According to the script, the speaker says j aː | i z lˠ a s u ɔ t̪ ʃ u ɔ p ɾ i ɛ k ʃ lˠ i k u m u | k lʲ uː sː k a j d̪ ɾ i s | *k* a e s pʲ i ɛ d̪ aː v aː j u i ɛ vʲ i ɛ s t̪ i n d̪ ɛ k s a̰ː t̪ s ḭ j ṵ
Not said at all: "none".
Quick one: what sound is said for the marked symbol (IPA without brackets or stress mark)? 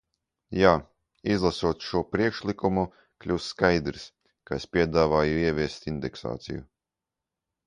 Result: k